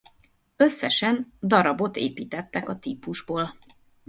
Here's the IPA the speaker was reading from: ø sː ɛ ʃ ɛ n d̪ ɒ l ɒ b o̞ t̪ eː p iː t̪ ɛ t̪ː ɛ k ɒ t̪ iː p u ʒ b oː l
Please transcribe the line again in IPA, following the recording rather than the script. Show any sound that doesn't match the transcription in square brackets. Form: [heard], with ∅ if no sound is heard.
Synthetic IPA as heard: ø sː ɛ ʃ ɛ n d̪ ɒ [ɾ] ɒ b o̞ t̪ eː p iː t̪ ɛ t̪ː ɛ k ɒ t̪ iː p u ʒ b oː l